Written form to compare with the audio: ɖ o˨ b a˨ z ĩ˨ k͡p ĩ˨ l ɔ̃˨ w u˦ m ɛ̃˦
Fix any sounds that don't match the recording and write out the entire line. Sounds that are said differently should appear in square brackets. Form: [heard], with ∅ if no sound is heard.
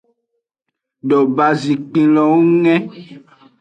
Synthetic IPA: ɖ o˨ b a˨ z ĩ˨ k͡p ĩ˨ l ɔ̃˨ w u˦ [ŋ] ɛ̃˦